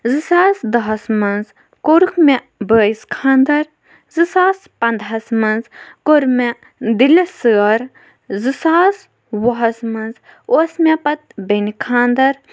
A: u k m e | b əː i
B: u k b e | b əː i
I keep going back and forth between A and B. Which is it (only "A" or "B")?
A